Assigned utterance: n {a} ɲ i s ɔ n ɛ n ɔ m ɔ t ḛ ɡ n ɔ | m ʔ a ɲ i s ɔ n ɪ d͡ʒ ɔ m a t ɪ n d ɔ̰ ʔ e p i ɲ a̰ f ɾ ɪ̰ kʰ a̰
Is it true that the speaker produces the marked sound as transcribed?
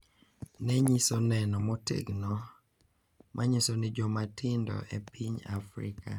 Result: no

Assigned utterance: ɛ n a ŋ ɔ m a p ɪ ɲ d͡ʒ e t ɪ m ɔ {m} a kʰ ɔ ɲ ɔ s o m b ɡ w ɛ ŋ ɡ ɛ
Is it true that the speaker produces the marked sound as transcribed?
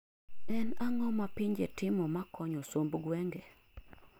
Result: yes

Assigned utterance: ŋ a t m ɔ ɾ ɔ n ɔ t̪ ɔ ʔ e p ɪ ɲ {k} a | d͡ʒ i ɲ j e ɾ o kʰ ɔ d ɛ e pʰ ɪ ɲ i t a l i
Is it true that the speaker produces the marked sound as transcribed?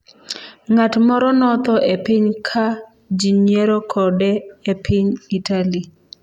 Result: no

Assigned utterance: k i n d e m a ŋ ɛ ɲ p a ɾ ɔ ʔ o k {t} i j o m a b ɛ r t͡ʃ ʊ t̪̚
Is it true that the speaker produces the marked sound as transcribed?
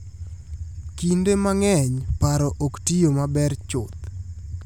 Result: yes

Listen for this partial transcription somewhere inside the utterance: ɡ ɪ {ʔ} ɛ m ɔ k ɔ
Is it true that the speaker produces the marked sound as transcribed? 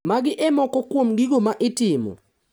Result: yes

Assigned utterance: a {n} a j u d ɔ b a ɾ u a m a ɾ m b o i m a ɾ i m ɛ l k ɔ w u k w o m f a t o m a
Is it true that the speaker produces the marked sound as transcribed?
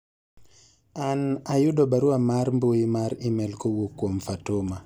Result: yes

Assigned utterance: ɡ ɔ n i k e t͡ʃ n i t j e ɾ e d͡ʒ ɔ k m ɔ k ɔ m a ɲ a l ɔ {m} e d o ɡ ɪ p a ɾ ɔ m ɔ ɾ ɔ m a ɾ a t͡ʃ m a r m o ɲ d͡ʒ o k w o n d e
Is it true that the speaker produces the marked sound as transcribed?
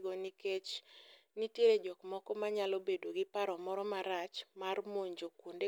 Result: no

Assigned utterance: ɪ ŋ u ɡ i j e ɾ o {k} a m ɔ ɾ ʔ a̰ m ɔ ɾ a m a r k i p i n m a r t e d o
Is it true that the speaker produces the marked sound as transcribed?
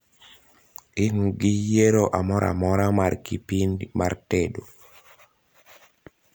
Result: no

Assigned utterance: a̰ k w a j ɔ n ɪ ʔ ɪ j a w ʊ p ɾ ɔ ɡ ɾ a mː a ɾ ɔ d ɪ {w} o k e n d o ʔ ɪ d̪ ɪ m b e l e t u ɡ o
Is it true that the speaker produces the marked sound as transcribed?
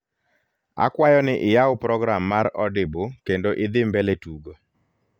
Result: no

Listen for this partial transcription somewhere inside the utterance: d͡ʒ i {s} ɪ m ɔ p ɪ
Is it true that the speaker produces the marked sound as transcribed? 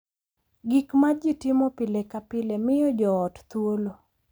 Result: no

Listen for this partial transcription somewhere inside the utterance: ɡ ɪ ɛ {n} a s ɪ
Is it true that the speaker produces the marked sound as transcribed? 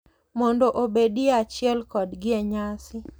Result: no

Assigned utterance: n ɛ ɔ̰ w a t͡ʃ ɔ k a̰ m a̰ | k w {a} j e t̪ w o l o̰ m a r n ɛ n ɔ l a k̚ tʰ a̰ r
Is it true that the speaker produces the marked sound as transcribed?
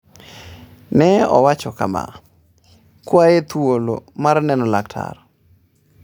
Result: yes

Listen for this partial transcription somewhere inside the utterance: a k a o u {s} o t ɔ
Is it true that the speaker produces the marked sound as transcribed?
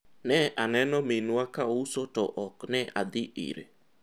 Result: yes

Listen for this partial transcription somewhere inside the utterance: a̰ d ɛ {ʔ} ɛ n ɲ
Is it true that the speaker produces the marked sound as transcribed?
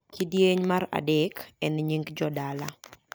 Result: no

